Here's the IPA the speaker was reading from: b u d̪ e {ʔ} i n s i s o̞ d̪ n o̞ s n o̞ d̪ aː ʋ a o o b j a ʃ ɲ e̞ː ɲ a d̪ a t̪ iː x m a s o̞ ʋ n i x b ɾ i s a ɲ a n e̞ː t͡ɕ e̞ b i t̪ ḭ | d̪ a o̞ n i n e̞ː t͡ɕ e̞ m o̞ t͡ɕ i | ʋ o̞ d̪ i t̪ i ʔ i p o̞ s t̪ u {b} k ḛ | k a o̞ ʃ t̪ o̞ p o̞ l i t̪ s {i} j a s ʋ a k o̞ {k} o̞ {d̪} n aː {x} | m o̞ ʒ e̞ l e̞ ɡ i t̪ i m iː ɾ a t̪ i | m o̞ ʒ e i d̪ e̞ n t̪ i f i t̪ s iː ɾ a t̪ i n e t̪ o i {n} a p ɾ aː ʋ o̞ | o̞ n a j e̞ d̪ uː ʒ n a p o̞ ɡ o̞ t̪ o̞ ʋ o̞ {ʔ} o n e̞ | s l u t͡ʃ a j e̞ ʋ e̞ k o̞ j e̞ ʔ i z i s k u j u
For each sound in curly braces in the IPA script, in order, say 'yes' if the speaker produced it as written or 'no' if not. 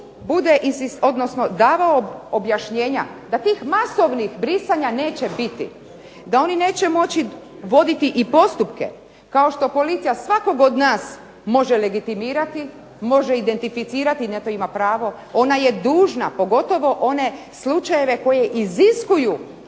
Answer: yes, no, yes, no, yes, no, no, yes

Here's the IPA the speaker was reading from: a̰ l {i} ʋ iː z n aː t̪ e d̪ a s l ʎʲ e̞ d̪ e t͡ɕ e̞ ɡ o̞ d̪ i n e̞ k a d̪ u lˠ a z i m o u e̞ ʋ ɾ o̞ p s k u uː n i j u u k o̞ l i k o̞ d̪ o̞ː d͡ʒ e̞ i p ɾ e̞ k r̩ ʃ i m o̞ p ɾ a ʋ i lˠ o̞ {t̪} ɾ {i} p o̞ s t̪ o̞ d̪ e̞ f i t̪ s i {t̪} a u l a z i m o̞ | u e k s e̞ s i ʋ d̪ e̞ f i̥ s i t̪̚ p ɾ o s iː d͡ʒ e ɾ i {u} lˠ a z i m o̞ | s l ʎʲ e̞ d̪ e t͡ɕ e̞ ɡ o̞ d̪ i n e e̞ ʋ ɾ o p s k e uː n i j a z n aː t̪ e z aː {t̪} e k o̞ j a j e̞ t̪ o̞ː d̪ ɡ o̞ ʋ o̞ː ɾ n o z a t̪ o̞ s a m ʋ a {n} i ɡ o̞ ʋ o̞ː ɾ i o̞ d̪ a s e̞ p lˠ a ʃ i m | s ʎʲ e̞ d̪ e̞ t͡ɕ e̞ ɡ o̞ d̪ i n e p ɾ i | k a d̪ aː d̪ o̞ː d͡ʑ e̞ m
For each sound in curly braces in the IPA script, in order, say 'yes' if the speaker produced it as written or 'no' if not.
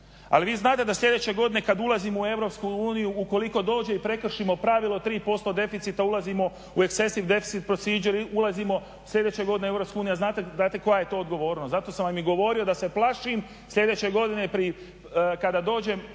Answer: yes, yes, no, yes, yes, yes, no

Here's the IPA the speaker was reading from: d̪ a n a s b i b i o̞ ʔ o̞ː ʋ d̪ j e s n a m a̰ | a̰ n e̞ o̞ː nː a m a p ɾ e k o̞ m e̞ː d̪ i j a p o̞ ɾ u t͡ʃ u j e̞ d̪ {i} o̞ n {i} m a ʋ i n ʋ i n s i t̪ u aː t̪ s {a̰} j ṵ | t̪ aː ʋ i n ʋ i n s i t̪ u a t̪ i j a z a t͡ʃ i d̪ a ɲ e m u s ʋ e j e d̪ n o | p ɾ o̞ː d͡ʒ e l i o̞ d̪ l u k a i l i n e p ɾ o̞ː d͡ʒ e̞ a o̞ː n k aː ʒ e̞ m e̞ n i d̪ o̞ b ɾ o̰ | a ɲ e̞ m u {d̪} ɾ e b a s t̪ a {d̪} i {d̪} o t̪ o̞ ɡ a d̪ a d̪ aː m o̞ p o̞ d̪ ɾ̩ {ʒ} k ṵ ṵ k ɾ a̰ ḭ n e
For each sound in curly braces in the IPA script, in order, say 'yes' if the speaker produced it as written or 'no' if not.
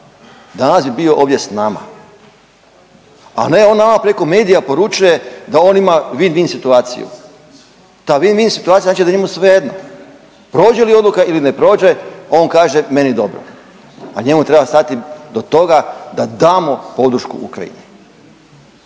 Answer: no, yes, no, no, no, yes, no

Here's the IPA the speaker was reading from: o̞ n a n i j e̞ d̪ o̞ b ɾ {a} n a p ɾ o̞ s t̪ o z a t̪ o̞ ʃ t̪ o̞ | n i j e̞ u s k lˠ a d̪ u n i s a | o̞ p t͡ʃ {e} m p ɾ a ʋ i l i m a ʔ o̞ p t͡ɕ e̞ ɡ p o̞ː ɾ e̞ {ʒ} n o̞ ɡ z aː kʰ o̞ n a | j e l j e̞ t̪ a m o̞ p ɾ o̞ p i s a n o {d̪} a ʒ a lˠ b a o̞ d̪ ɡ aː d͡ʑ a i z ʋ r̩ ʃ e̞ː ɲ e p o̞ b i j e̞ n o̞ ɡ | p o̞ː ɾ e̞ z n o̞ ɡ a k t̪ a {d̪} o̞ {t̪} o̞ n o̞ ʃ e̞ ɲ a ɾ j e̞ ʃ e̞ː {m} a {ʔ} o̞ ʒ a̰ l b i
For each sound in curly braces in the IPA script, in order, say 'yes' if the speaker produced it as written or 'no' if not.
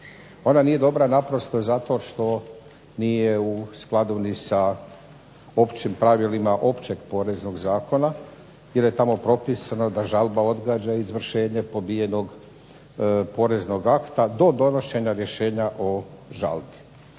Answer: yes, no, no, yes, yes, no, no, yes

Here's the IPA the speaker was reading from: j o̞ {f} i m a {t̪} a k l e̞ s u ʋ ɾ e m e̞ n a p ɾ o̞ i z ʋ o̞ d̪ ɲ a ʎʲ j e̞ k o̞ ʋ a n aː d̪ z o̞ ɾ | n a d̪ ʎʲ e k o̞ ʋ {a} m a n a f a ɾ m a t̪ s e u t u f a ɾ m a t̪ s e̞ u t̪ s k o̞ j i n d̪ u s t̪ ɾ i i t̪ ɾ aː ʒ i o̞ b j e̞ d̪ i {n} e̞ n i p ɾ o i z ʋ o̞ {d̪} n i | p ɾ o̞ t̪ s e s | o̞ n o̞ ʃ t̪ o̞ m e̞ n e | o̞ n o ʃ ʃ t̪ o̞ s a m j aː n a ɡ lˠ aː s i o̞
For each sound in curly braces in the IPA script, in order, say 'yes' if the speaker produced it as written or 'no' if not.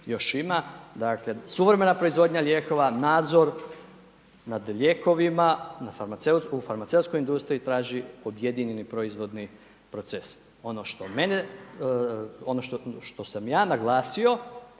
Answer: no, no, no, no, yes

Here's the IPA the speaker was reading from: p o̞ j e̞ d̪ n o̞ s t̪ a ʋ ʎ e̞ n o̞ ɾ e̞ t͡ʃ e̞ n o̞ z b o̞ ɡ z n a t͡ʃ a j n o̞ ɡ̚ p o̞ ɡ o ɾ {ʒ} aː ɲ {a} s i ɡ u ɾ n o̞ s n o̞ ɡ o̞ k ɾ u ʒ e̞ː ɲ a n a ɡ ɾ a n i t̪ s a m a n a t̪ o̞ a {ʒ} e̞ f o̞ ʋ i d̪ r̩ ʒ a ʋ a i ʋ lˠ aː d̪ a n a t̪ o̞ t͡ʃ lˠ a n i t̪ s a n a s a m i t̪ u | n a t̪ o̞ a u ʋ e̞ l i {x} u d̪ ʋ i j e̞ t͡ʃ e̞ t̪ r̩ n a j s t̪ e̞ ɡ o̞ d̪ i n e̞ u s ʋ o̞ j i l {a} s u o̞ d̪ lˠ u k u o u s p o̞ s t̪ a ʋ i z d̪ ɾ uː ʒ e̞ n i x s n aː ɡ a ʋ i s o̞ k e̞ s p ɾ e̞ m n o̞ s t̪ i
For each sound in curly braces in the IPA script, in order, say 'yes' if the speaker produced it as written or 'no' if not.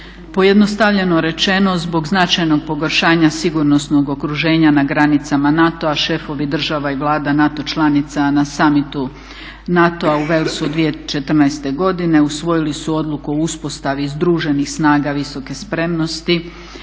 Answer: no, yes, no, no, no

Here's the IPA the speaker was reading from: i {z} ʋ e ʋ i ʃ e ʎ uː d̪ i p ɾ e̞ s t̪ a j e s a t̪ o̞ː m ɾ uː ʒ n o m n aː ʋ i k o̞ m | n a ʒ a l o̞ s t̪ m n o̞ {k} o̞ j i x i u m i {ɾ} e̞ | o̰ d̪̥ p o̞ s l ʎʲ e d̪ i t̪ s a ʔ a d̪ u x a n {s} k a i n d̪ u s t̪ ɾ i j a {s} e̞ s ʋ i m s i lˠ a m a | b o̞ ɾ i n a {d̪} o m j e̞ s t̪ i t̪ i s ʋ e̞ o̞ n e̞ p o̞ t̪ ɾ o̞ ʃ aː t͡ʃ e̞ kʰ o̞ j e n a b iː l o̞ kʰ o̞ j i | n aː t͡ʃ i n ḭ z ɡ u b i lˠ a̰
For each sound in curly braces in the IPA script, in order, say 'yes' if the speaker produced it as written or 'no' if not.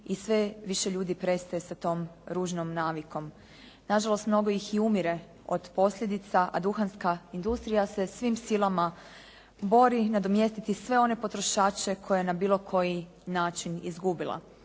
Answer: no, no, yes, yes, yes, yes

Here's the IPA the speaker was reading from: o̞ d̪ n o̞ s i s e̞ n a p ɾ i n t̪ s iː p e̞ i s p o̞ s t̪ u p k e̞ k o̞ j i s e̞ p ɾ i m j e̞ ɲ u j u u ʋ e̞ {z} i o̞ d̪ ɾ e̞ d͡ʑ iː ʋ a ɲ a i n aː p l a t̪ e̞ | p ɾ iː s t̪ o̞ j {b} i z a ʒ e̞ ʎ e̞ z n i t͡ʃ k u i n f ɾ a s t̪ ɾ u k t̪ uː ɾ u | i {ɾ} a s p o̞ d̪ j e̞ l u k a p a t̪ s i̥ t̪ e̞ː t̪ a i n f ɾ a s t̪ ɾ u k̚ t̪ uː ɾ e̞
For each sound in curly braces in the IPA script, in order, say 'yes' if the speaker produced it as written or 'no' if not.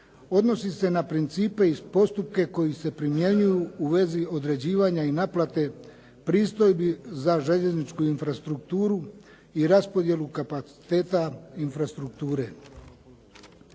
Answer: yes, yes, yes

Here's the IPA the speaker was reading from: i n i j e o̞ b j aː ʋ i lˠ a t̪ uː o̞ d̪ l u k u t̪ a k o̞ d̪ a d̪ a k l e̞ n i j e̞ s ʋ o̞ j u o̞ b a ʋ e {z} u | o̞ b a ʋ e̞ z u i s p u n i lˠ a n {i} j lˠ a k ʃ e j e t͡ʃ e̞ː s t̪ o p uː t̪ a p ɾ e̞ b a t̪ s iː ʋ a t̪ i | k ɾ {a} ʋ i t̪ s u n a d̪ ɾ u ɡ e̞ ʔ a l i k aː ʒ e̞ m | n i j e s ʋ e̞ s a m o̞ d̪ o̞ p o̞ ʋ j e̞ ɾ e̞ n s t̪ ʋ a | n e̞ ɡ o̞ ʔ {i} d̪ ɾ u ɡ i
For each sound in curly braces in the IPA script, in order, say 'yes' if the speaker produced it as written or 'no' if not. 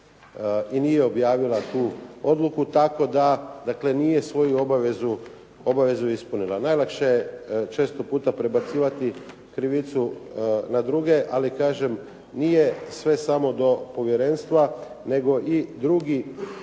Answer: yes, no, no, yes

